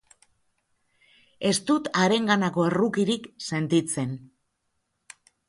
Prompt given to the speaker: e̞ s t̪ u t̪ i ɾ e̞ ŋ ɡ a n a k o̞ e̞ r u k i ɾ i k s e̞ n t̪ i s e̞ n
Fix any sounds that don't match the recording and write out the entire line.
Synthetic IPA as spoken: e̞ s t̪ u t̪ a ɾ e̞ ŋ ɡ a n a k o̞ e̞ r u k i ɾ i k s e̞ n t̪ i t͡s e̞ n